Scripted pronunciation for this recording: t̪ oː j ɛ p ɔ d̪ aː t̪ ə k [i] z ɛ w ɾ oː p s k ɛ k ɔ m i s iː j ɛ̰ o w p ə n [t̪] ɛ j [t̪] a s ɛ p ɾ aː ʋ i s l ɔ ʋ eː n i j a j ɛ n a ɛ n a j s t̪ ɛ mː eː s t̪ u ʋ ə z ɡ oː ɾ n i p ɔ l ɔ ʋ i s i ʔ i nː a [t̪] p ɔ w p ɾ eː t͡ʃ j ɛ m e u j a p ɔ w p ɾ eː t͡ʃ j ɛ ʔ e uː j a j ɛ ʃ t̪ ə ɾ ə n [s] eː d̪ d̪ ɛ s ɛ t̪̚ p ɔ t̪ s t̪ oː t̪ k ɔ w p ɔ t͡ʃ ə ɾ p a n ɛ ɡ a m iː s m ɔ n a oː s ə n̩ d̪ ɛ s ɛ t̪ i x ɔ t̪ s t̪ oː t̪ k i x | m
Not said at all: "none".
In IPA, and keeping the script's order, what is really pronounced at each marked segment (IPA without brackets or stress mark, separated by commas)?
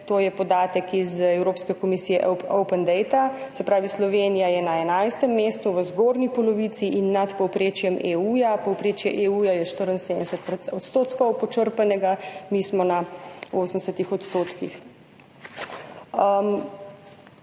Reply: i, d̪, t̪, t̪, s